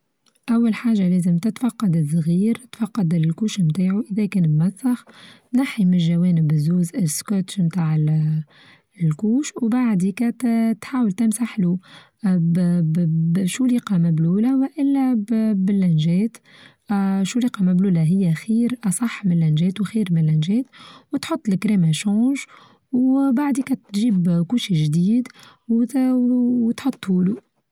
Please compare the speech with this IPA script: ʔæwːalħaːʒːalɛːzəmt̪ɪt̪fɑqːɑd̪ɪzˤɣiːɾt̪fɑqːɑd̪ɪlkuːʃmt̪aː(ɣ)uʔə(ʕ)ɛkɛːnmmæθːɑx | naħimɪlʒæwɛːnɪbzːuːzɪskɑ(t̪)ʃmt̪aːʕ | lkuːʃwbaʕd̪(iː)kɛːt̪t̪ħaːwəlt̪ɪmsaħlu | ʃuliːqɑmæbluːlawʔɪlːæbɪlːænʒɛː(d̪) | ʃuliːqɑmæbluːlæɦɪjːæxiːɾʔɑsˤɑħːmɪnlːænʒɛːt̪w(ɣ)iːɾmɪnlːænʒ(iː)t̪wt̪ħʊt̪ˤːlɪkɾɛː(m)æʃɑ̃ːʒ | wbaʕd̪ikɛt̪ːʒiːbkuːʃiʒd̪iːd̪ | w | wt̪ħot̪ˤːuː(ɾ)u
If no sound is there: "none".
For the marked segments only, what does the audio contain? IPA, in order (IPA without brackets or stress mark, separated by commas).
ʕ, ð, t̪, i, t̪, x, ɛː, m, l